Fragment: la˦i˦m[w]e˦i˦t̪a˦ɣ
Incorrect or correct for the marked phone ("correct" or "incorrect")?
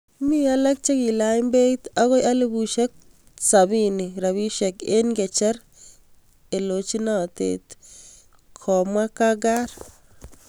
incorrect